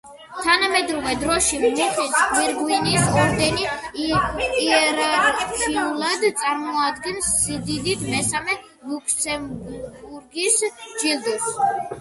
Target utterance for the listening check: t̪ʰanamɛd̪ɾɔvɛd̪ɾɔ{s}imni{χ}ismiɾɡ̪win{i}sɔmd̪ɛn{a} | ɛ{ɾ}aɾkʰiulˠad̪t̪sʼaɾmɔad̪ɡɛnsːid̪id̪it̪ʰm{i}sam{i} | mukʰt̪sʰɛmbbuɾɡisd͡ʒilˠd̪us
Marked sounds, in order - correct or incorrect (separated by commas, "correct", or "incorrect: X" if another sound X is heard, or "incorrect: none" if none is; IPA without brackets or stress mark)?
incorrect: ʃ, correct, correct, incorrect: i, correct, incorrect: ɛ, incorrect: ɛ